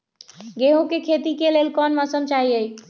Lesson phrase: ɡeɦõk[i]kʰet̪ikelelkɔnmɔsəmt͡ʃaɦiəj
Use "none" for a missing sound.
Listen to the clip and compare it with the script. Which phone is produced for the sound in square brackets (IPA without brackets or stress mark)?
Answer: e